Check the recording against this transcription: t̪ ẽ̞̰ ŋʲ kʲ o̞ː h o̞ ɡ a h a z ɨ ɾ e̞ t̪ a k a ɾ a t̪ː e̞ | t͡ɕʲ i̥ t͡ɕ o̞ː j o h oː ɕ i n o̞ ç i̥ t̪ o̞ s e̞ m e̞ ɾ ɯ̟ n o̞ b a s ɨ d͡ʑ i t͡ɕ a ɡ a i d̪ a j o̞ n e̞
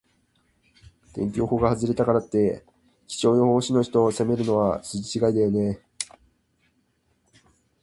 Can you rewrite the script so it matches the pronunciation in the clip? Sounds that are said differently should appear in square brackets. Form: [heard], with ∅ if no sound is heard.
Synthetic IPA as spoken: t̪ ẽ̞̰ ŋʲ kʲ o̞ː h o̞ ɡ a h a z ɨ ɾ e̞ t̪ a k a ɾ a t̪ː e̞ | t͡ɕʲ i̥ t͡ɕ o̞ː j o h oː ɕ i n o̞ ç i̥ t̪ o̞ s e̞ m e̞ ɾ ɯ̟ n o̞ [β] a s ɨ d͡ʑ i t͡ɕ [i] ɡ a i d̪ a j o̞ n e̞